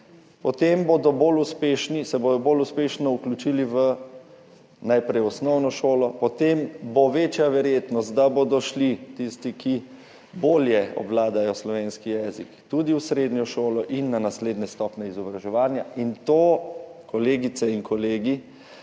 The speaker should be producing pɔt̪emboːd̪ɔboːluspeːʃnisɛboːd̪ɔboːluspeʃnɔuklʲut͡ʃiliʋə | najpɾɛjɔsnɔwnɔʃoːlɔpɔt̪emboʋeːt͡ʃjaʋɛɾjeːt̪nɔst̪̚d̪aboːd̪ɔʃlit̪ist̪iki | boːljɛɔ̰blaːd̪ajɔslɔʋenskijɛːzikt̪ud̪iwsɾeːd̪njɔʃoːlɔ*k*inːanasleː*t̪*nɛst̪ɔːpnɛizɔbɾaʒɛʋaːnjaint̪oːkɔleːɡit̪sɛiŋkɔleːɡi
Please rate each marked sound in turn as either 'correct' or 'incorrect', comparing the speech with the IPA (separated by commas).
incorrect, incorrect